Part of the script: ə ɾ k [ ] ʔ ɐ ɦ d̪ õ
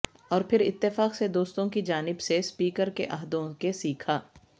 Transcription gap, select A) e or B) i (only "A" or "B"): A